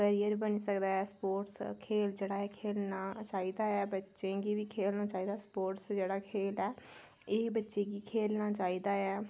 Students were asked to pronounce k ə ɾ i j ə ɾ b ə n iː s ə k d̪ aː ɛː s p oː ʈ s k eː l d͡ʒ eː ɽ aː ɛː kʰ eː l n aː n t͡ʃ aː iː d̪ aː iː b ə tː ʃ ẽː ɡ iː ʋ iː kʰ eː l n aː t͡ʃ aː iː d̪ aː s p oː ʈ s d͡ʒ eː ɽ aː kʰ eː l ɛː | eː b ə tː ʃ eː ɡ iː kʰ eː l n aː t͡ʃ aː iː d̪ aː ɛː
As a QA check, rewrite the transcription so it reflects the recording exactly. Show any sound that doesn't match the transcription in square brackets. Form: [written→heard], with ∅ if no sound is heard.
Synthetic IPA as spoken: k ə ɾ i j ə ɾ b ə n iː s ə k d̪ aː ɛː s p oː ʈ s [k→kʰ] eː l d͡ʒ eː ɽ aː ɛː kʰ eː l n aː [n→∅] t͡ʃ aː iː d̪ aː [iː→ɛː] b ə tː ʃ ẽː ɡ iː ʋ iː kʰ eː l n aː t͡ʃ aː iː d̪ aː s p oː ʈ s d͡ʒ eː ɽ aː kʰ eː l ɛː | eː b ə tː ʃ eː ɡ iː kʰ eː l n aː t͡ʃ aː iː d̪ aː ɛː